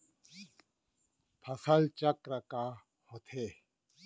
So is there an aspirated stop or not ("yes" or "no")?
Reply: yes